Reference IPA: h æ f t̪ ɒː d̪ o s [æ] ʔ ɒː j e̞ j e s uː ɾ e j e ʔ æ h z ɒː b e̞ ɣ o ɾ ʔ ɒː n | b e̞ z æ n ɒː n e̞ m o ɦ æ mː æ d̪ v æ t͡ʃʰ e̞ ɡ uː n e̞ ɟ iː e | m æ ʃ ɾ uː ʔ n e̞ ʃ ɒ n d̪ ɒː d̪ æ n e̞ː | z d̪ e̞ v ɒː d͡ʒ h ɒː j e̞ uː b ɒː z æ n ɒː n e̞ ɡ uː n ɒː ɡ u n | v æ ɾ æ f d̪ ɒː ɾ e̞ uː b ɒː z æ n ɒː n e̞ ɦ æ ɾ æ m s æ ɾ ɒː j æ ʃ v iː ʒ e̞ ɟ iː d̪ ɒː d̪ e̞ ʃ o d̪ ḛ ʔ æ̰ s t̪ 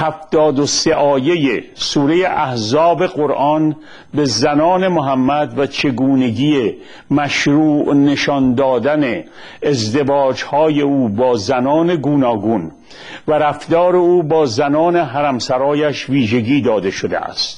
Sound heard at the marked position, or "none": e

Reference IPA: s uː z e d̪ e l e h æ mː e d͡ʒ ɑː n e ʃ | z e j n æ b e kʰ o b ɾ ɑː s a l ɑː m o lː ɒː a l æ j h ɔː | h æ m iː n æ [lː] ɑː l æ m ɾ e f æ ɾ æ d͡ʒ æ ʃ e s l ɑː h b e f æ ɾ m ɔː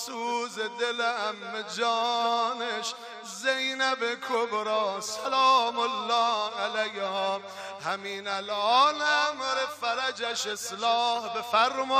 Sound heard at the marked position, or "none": l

